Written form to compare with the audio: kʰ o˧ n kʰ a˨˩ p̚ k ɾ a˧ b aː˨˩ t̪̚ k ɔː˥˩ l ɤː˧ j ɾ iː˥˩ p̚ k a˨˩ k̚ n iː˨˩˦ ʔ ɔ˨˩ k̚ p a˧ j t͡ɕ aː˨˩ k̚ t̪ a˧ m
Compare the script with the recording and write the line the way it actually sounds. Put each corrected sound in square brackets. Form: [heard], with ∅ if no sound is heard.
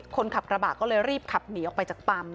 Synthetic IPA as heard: kʰ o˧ n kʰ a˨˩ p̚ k ɾ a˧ b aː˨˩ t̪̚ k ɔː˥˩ l ɤː˧ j ɾ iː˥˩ p̚ [kʰ] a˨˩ [p̚] n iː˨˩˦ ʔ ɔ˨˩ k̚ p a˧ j t͡ɕ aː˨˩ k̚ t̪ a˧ m